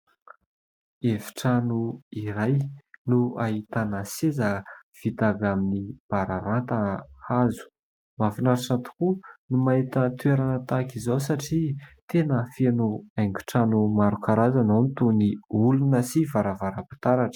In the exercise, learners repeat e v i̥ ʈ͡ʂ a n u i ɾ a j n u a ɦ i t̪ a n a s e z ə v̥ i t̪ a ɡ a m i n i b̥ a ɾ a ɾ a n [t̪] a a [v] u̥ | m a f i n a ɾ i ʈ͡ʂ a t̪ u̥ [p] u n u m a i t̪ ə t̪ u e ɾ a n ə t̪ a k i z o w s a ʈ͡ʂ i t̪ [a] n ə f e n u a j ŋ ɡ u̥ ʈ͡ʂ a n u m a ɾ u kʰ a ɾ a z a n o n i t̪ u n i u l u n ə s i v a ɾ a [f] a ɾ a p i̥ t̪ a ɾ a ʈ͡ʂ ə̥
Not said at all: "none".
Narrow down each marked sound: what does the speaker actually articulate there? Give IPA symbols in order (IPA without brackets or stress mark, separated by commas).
t̪, z, k, e, v